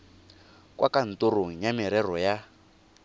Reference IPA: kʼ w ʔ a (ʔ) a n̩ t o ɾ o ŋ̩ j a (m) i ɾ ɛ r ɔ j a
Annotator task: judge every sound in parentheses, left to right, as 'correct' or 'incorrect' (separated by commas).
incorrect, correct